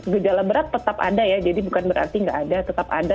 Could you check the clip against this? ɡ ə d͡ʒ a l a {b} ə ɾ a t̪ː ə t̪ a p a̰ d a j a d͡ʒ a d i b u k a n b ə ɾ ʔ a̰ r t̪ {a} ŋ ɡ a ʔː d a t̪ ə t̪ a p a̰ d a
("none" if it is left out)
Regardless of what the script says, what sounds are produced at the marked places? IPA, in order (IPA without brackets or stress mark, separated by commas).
b, i